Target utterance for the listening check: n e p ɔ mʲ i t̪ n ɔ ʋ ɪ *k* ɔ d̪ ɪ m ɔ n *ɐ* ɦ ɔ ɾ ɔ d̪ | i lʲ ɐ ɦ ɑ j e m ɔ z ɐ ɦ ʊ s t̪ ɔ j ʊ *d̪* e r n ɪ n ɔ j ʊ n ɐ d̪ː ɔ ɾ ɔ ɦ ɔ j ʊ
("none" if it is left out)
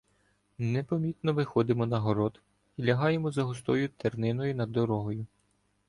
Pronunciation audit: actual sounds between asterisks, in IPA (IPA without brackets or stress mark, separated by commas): x, ɐ, t̪